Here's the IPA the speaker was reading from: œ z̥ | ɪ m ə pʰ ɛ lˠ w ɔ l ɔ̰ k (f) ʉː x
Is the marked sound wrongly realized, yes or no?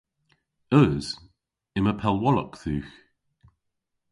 yes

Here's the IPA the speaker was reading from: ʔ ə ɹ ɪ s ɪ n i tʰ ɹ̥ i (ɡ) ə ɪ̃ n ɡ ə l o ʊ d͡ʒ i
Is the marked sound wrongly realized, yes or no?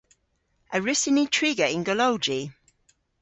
no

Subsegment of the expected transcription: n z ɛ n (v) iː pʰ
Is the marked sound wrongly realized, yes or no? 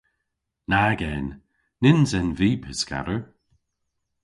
no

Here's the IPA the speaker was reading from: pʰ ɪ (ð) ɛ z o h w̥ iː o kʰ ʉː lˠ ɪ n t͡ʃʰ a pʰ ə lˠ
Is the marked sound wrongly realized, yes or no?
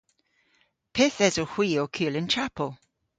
yes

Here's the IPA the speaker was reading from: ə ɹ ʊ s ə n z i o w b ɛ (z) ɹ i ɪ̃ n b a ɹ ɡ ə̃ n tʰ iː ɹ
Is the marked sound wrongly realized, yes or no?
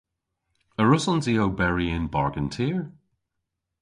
yes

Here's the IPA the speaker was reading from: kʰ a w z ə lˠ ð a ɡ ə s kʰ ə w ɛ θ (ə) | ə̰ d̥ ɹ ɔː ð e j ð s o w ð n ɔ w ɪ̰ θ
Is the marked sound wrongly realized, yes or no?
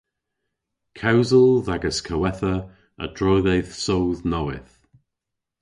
no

